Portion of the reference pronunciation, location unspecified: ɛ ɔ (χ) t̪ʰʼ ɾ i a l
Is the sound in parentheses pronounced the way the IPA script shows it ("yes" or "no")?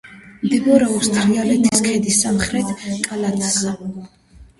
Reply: no